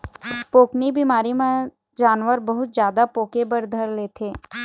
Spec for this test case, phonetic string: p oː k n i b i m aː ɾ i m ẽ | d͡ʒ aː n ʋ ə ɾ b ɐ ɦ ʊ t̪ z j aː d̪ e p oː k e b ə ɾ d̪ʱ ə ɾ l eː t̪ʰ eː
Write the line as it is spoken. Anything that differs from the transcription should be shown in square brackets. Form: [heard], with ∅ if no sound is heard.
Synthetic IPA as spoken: p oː k n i b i m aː ɾ i m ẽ | d͡ʒ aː n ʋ ə ɾ b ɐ ɦ ʊ t̪ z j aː d̪ [a] p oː k e b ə ɾ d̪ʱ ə ɾ l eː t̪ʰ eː